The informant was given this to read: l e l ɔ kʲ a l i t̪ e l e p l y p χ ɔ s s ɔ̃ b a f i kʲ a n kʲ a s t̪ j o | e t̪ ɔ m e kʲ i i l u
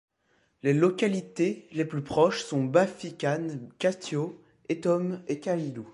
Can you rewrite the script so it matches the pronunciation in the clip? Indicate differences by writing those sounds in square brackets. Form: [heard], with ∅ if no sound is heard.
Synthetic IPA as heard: l e l ɔ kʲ a l i t̪ e l e p l y p χ ɔ [ʃ] s ɔ̃ b a f i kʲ a n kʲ a s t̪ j o | e t̪ ɔ m e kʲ [a] i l u